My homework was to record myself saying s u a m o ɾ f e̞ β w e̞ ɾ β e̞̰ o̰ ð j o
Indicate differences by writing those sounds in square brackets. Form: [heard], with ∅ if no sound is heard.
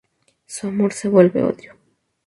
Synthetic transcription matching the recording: s u a m o ɾ [s] e̞ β w e̞ [l] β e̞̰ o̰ ð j o